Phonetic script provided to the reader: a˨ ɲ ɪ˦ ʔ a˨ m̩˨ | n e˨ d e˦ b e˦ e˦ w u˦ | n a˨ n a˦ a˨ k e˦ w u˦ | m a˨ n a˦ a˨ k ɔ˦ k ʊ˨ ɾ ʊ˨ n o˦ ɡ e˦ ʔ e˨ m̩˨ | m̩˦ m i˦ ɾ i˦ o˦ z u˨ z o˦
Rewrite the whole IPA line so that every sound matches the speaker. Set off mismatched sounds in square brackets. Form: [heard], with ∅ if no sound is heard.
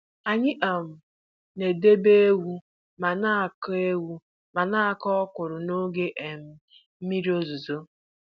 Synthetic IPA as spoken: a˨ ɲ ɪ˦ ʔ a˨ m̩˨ | n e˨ d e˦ b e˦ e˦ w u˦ | [m] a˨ n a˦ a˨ k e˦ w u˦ | m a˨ n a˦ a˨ k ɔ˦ k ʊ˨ ɾ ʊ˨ n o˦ ɡ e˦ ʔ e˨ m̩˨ | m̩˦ m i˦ ɾ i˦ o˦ z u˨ z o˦